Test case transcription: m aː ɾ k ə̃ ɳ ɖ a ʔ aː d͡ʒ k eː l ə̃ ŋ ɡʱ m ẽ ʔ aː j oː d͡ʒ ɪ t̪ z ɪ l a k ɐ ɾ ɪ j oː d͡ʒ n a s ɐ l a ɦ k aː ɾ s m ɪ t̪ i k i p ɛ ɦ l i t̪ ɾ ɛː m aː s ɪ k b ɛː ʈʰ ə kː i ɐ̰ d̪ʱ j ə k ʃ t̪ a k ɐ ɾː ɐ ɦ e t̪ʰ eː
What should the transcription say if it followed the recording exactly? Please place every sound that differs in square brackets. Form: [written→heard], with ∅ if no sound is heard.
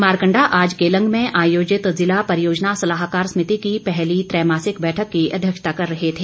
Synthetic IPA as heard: m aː ɾ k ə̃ ɳ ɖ a ʔ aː d͡ʒ k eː l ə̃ ŋ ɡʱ m ẽ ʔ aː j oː d͡ʒ ɪ t̪ z ɪ l a [k→p] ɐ ɾ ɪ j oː d͡ʒ n a s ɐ l a ɦ k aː ɾ s m ɪ t̪ i k i p ɛ ɦ l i t̪ ɾ ɛː m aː s ɪ k b ɛː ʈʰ ə kː i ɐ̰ d̪ʱ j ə k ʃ t̪ a k ɐ ɾː ɐ ɦ e t̪ʰ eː